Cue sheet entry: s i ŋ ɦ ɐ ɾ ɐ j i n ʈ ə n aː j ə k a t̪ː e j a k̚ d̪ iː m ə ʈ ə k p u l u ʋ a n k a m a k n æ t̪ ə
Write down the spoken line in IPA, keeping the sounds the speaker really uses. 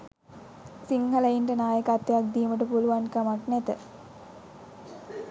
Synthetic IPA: s i ŋ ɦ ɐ l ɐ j i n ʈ ə n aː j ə k a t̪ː e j a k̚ d̪ iː m ə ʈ ə p u l u ʋ a n k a m a k n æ t̪ ə